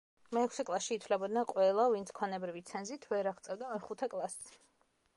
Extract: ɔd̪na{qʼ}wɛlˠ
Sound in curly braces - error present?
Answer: no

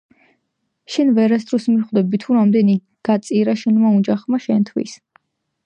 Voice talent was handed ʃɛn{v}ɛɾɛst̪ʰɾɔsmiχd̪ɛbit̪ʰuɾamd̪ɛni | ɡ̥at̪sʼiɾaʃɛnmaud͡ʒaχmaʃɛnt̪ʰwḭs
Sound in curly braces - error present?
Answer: no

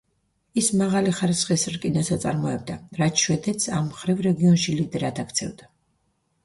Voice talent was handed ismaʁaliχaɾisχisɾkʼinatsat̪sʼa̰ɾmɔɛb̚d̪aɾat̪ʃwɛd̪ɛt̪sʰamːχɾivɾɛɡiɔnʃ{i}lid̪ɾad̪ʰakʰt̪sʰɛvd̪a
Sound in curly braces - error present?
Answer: no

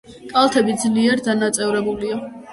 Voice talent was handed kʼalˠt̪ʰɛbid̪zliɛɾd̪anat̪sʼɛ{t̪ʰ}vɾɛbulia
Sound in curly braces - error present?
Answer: yes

